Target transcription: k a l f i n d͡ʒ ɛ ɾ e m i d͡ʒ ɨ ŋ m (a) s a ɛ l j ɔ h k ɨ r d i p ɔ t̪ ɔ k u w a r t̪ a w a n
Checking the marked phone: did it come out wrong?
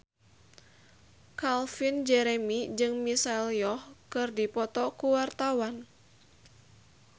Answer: yes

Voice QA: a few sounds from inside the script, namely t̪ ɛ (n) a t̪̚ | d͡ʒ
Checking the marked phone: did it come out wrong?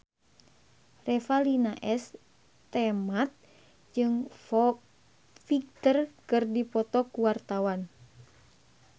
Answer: yes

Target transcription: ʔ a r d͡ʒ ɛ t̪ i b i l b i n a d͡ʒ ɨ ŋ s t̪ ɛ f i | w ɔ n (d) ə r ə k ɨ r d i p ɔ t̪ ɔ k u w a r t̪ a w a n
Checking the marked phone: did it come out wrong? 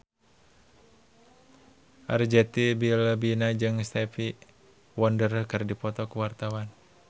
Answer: no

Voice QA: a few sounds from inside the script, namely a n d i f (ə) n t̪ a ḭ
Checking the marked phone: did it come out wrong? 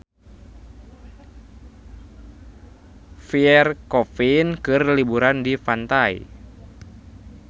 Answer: yes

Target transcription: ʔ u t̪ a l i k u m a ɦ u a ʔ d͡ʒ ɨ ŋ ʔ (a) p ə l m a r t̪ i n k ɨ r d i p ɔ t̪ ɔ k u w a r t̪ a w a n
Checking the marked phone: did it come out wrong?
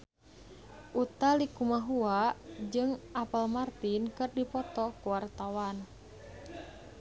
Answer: no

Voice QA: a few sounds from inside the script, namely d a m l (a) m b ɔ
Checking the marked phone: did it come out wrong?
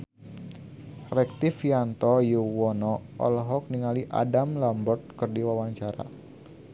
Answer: no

